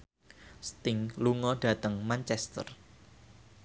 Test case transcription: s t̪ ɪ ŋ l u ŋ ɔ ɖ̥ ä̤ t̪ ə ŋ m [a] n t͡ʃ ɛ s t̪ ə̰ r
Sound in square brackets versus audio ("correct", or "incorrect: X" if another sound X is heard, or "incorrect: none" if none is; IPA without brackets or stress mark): correct